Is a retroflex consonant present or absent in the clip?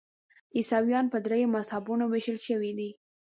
absent